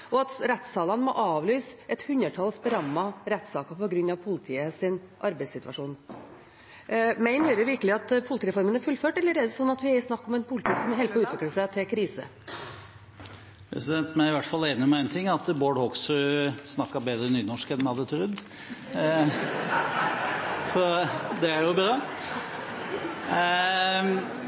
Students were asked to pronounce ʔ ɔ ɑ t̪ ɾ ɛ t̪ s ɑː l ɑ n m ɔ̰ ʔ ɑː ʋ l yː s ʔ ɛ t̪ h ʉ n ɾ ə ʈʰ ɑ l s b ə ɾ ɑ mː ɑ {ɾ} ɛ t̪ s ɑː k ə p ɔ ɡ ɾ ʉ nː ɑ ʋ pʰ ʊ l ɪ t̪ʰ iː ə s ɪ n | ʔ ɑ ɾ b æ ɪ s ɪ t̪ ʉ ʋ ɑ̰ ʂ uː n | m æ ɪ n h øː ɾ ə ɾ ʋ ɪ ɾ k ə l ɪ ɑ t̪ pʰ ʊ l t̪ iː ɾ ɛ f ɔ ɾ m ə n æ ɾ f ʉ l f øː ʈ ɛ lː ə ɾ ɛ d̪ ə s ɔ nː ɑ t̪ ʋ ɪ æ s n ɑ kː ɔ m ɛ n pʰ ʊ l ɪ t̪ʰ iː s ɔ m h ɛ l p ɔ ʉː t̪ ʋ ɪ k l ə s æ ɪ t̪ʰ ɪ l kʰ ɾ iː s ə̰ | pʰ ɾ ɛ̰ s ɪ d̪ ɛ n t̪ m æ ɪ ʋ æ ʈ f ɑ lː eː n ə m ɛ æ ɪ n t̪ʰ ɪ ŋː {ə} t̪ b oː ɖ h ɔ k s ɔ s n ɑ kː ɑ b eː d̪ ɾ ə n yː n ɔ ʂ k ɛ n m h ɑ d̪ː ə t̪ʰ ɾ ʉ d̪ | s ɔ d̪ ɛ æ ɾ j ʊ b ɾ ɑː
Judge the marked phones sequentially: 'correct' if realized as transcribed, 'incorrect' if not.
correct, incorrect: ɑ

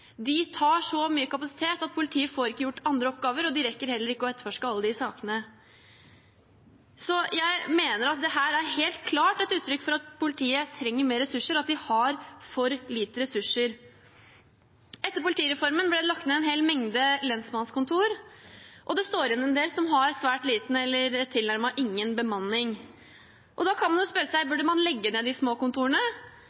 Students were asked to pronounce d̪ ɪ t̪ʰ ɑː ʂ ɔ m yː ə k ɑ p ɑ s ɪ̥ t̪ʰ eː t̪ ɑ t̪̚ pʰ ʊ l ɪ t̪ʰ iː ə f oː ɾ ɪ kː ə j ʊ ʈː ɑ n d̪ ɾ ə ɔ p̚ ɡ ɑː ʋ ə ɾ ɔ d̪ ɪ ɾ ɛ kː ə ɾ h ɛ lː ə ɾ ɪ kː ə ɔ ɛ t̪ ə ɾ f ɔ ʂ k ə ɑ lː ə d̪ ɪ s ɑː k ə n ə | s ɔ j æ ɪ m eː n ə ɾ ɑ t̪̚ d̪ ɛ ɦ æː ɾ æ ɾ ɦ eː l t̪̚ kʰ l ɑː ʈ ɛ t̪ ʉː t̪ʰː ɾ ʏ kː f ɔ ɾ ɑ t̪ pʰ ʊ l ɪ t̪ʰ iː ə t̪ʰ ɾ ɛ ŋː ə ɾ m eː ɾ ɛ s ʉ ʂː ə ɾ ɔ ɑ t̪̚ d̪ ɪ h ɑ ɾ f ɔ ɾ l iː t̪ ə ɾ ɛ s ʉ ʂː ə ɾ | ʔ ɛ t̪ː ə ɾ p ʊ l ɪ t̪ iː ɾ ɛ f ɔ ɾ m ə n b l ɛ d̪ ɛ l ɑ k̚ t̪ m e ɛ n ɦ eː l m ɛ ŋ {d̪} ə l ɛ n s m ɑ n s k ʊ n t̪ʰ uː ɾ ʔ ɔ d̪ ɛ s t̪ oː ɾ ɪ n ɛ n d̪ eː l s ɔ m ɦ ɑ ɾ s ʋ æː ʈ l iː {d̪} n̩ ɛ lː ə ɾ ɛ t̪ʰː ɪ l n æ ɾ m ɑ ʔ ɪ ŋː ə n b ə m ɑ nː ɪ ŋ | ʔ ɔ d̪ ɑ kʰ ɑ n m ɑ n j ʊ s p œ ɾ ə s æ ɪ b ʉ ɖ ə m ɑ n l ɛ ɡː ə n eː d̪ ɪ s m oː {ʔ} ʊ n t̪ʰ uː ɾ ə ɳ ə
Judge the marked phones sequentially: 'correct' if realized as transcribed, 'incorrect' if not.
correct, incorrect: t̪, incorrect: k

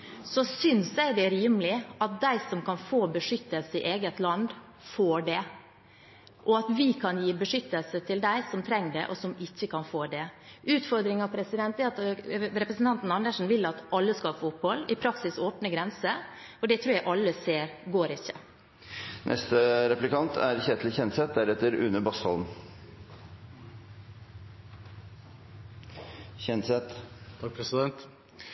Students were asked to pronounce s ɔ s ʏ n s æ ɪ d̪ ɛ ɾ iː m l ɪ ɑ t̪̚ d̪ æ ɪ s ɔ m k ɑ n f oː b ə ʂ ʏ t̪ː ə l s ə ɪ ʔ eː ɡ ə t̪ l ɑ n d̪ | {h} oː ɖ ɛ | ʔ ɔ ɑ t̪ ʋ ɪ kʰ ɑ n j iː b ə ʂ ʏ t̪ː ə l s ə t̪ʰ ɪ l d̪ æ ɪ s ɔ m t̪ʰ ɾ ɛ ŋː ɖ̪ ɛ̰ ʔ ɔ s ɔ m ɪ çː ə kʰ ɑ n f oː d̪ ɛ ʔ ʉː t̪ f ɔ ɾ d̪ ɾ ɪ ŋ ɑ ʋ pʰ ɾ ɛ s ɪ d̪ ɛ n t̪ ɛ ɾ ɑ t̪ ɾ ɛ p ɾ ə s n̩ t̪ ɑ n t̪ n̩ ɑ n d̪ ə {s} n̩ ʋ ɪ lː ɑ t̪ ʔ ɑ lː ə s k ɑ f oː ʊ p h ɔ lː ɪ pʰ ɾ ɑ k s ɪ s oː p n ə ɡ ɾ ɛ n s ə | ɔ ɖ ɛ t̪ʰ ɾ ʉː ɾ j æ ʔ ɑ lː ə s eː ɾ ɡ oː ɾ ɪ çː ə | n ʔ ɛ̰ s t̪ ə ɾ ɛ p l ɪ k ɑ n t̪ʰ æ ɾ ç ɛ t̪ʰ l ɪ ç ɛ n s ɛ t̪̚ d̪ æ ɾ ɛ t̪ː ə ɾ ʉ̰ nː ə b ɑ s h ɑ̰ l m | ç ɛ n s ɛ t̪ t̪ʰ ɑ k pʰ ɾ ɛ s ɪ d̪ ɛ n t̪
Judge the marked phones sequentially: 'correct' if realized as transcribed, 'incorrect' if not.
incorrect: f, incorrect: ʂ

